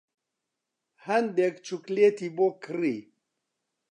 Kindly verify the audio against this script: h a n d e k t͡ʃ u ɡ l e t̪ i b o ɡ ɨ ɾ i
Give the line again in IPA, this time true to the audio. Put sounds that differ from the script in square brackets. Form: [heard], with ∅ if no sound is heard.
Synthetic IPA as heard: h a n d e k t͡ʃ u [k] l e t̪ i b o [k] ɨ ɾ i